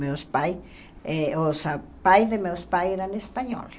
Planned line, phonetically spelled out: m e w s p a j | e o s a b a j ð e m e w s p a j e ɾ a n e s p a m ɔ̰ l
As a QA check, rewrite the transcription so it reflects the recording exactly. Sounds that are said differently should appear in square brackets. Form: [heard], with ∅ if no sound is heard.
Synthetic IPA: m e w s p a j | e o s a [p] a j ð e m e w s p a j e ɾ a n e s p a [ɲ] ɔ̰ l